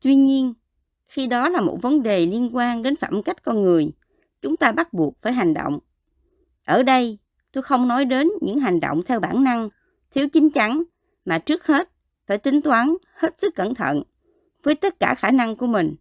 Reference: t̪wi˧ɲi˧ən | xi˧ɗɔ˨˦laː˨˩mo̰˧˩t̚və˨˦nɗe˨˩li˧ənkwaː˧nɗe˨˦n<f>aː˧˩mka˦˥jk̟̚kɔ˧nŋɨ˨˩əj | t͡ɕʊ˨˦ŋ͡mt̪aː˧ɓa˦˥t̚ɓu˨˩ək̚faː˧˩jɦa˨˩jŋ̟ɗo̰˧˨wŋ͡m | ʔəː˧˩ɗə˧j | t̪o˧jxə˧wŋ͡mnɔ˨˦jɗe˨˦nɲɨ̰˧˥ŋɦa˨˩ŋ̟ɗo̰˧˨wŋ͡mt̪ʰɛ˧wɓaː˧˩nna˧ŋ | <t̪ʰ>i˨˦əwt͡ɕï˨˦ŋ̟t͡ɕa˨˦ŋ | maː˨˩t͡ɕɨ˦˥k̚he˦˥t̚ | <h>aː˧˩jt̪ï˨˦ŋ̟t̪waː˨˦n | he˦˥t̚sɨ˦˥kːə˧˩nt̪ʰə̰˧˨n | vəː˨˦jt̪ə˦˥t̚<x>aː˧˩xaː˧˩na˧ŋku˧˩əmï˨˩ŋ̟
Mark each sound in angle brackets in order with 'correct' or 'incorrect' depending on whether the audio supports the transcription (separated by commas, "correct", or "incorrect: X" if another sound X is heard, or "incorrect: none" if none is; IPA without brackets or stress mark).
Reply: correct, correct, incorrect: f, incorrect: k